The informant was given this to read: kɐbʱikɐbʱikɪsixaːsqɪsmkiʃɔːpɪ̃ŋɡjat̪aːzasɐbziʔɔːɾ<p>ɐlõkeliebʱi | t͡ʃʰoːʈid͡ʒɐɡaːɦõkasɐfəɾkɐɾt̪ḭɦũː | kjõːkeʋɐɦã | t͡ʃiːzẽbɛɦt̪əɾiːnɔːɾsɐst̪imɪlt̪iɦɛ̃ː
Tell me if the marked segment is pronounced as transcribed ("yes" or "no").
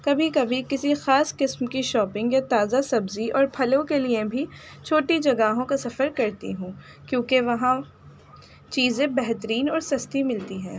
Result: no